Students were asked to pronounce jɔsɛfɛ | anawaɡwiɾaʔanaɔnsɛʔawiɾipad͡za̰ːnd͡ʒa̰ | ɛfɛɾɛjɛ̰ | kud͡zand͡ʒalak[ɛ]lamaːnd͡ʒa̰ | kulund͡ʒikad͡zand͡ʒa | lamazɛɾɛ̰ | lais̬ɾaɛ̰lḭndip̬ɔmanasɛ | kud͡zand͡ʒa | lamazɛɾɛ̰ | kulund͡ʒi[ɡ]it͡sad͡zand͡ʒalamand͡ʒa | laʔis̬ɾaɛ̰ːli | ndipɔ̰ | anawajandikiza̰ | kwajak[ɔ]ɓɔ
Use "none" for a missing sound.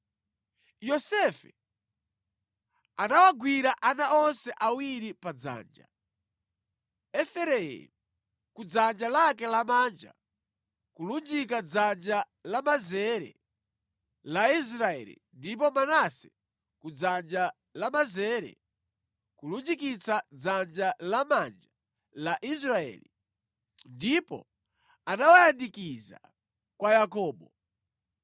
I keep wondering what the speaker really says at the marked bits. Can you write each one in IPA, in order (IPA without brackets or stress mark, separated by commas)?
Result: ɛ, k, ɔː